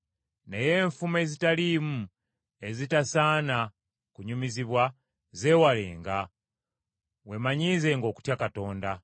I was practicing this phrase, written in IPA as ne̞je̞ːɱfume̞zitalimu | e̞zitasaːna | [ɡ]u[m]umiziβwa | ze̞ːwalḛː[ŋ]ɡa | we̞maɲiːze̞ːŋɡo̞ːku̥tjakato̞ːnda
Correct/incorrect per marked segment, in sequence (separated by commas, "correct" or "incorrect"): incorrect, incorrect, correct